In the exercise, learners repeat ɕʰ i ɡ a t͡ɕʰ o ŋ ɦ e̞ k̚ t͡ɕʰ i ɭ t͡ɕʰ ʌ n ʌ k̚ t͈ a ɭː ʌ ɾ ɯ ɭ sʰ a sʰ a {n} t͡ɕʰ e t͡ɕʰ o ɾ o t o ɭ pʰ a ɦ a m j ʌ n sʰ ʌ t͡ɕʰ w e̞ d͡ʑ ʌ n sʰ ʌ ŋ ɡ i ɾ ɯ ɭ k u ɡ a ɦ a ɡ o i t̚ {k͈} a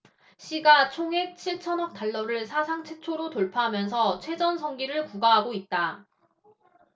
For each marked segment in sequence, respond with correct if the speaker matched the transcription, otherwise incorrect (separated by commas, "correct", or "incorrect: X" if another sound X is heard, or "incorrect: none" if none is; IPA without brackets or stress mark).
incorrect: ŋ, incorrect: t͈